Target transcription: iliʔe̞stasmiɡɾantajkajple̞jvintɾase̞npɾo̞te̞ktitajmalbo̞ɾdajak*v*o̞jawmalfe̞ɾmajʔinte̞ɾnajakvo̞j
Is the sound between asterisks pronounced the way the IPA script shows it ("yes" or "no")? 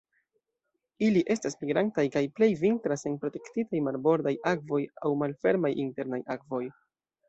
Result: yes